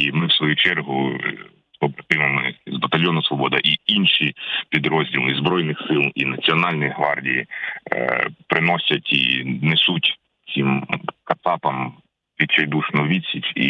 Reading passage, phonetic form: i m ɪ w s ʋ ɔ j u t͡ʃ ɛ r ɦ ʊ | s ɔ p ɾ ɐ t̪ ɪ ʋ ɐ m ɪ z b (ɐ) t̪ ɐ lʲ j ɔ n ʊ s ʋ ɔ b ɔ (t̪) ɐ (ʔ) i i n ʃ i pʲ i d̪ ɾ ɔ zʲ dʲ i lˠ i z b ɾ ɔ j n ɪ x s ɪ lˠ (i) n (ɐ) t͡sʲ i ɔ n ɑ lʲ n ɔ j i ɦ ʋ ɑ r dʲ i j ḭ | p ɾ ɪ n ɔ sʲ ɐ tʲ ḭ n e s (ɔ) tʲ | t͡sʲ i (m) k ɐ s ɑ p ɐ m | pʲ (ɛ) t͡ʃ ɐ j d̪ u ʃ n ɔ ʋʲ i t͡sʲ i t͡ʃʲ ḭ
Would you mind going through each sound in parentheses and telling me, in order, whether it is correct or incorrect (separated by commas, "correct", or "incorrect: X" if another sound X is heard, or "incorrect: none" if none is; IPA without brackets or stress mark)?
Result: correct, incorrect: d̪, correct, correct, correct, incorrect: u, correct, incorrect: i